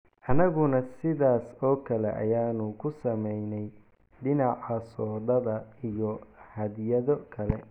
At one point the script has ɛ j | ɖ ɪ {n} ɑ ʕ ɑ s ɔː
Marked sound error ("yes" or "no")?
no